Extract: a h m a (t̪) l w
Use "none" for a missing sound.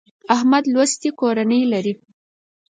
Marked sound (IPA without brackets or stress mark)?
d̪